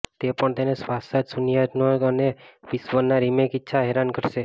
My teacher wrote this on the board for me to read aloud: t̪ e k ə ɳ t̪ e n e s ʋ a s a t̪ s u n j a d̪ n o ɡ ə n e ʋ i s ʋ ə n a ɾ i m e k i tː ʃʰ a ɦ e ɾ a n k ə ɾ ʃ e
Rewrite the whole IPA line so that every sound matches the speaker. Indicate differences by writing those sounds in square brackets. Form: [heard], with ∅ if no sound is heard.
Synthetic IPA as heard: t̪ e [p] ə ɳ t̪ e n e s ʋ a s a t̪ s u n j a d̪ n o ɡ ə n e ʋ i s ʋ ə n a ɾ i m e k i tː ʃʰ a ɦ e ɾ a n k ə ɾ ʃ e